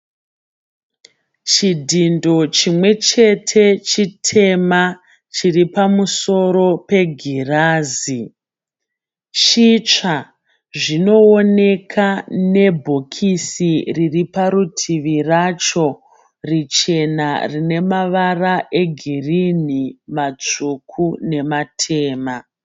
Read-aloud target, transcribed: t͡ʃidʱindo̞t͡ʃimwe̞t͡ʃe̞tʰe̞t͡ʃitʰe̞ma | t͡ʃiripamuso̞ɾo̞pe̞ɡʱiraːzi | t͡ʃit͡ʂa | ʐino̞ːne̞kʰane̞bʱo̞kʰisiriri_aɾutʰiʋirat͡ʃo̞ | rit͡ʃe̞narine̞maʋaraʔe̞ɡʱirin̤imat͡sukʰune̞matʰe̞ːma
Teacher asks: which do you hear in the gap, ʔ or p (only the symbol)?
p